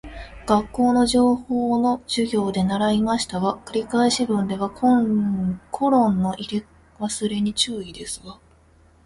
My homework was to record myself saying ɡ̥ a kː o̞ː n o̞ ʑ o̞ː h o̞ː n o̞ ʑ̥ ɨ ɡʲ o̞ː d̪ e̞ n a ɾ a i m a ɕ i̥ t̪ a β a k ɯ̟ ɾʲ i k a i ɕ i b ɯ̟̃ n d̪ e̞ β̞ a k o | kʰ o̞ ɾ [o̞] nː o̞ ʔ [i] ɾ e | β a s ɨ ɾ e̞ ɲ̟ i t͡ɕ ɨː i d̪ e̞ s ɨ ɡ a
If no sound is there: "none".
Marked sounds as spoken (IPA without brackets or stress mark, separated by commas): õ̞, i